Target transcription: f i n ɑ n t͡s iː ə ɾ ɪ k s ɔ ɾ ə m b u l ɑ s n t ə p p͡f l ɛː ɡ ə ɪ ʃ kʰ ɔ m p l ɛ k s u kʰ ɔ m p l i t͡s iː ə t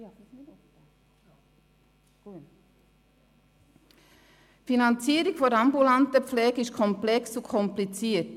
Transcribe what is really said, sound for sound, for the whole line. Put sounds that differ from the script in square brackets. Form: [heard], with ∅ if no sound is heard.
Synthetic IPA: f i n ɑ n t͡s iː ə ɾ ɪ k [f] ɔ ɾ [ɑ] m b u l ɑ [∅] n t ə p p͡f l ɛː ɡ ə ɪ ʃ kʰ ɔ m p l ɛ k s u kʰ ɔ m p l i t͡s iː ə t